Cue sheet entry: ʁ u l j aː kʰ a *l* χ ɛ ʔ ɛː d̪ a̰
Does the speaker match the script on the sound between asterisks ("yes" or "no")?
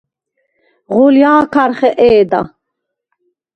no